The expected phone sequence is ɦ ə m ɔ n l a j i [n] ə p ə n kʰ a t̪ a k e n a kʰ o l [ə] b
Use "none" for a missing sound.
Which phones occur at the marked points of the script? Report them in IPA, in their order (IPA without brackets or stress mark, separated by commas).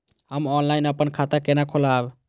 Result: n, a